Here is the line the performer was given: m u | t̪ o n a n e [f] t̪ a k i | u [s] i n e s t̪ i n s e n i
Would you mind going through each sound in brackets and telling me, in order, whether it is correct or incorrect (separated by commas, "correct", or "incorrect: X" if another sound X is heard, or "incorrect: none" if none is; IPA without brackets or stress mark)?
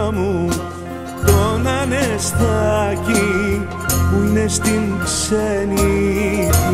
incorrect: s, incorrect: none